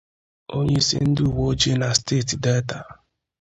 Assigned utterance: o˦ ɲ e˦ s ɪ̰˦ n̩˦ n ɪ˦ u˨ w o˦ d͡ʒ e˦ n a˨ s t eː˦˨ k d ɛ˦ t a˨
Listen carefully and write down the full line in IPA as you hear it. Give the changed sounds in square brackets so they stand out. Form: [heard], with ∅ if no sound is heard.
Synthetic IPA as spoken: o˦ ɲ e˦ s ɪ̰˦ n̩˦ [d] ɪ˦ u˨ w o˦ d͡ʒ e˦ n a˨ s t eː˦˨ [t] d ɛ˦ t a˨